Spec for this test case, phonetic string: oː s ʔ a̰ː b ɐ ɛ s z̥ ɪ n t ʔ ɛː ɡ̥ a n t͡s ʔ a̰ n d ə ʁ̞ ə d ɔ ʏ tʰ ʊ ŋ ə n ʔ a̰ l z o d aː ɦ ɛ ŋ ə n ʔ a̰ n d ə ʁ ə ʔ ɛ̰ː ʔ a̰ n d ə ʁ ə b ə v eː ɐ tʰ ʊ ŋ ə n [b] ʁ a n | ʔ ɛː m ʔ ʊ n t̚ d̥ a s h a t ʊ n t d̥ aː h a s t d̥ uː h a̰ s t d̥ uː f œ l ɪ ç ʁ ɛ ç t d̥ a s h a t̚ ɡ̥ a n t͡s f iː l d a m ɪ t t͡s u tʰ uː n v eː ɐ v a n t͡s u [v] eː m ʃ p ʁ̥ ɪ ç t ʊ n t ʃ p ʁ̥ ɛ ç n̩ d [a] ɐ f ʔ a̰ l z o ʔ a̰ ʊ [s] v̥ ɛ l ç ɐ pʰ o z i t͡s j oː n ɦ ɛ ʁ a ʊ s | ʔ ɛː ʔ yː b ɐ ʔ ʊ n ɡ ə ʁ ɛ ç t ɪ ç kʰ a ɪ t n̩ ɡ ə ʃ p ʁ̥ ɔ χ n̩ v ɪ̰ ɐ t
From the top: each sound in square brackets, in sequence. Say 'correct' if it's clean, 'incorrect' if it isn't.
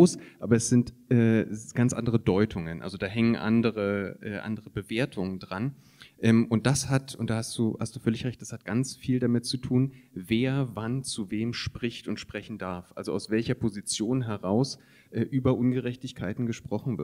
incorrect: d, correct, correct, correct

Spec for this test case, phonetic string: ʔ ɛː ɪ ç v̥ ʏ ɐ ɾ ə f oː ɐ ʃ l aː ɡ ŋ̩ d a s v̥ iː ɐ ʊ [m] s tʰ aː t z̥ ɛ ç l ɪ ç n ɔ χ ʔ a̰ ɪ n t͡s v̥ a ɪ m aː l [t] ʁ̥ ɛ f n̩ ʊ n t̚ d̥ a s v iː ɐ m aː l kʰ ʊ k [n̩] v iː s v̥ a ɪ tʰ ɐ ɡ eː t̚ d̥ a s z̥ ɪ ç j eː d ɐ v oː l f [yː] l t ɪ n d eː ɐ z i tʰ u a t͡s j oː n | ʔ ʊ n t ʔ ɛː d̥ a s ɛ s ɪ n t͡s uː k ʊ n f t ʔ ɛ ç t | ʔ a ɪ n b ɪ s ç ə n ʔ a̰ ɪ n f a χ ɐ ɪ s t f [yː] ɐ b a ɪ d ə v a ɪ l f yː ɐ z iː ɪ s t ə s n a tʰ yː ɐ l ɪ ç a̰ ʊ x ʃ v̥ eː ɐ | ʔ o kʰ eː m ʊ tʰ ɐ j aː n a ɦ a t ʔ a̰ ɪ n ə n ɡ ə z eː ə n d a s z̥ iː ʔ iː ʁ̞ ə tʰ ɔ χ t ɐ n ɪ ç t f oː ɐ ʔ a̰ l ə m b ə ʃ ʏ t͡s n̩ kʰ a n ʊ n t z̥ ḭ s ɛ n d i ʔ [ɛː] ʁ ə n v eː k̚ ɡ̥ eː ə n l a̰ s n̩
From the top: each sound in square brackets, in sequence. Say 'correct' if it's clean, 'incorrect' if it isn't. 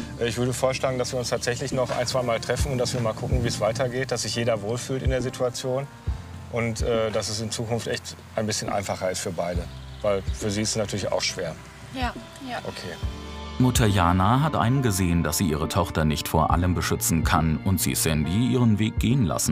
incorrect: n, correct, incorrect: ŋ̩, correct, correct, incorrect: iː

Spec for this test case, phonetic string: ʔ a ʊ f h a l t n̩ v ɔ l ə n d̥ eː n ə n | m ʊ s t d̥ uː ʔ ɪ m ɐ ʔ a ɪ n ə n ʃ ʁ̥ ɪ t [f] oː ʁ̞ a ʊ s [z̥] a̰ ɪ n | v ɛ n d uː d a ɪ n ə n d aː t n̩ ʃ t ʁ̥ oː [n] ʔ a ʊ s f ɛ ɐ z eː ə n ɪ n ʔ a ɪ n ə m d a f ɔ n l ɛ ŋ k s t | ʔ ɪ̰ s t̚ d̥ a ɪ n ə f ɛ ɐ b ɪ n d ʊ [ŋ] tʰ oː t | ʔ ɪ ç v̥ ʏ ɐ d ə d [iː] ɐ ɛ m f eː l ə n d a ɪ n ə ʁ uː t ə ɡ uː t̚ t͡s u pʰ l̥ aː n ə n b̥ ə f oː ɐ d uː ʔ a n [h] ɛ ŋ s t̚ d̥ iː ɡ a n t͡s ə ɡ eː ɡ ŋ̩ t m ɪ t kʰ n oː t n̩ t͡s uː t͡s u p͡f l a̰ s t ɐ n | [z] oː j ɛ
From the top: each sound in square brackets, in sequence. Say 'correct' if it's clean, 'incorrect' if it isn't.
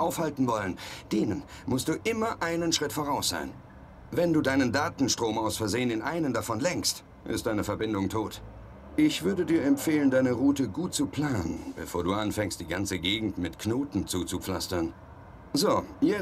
correct, correct, incorrect: m, correct, correct, incorrect: f, correct

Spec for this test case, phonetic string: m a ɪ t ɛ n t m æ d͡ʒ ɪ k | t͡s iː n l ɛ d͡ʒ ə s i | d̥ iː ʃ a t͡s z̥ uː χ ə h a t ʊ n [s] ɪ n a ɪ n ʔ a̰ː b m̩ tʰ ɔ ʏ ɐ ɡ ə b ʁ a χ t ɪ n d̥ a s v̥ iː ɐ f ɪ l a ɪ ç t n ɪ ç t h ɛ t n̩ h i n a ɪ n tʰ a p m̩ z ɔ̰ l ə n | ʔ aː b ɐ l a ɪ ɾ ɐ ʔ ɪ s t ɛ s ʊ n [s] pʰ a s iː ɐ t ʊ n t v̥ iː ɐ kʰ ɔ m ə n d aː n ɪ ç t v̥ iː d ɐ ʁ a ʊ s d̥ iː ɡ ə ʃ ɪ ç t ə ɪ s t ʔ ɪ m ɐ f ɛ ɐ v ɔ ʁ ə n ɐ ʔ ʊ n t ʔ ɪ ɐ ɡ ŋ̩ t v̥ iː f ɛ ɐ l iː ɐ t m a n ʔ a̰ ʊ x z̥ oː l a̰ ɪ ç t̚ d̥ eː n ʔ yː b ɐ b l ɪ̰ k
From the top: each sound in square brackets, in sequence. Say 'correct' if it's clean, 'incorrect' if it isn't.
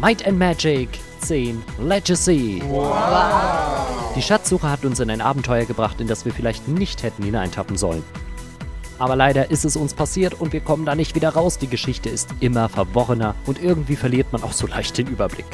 correct, correct

